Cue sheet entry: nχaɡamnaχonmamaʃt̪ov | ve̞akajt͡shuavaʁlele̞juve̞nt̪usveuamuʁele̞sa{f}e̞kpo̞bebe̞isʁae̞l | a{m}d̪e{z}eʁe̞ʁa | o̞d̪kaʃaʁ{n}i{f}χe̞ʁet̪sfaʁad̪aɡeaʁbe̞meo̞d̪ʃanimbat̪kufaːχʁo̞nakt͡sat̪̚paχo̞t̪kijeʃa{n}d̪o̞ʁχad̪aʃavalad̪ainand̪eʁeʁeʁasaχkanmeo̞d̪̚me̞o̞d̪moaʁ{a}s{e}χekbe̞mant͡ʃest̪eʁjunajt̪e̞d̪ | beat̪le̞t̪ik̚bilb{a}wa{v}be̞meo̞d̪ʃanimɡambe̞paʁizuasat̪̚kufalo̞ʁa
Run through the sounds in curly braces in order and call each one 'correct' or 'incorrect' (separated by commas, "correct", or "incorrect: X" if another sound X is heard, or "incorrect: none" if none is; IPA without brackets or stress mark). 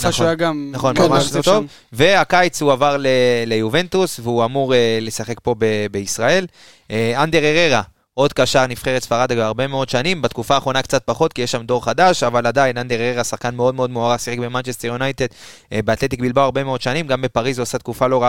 incorrect: χ, incorrect: n, incorrect: ʁ, correct, correct, incorrect: m, correct, incorrect: i, correct, incorrect: ʁ